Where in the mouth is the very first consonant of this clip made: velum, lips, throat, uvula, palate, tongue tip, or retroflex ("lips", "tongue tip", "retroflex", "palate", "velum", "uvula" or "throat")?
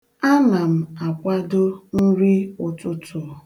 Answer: tongue tip